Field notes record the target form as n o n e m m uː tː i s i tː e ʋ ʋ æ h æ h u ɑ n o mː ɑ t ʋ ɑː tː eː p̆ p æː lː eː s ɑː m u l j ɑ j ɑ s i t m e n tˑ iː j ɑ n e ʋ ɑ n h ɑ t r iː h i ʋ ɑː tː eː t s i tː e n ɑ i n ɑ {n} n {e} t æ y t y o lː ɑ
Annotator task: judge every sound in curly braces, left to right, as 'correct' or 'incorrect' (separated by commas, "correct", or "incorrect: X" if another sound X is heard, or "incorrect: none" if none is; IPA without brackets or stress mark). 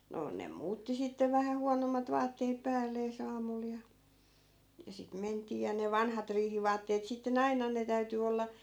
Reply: correct, correct